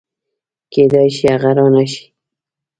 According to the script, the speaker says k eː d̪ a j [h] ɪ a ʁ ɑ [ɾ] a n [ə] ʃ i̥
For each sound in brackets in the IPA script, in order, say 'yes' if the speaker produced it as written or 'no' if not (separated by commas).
no, yes, no